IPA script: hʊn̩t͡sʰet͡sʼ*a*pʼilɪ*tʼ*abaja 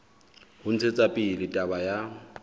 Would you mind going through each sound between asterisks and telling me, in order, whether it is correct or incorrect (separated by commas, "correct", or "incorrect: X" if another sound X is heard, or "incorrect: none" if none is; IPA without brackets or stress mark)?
correct, correct